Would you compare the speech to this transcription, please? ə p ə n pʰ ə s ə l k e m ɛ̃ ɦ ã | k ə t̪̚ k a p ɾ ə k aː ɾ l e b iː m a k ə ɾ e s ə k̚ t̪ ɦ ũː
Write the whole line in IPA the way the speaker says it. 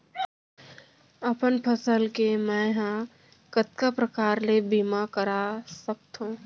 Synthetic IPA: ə p ə n pʰ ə s ə l k e m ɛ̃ ɦ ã | k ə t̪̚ k a p ɾ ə k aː ɾ l e b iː m a k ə ɾ a s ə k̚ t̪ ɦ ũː